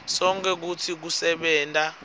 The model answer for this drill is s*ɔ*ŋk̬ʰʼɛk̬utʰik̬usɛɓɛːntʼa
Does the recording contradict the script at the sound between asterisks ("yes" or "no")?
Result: no